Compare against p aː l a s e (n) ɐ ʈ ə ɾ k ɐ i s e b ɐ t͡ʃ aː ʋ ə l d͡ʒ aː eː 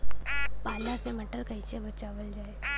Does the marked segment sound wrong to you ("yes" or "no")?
yes